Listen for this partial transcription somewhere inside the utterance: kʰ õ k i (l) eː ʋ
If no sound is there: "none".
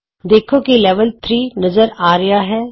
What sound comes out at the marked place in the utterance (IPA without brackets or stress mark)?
l